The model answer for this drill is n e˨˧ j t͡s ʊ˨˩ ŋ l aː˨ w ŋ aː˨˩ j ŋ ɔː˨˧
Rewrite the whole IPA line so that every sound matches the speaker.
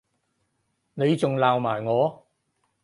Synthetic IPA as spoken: n e˨˧ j t͡s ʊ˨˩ ŋ l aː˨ w m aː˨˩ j ŋ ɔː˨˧